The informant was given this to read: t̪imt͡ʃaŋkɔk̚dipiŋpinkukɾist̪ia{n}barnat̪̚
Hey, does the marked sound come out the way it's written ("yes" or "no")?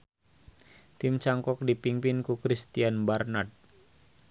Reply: yes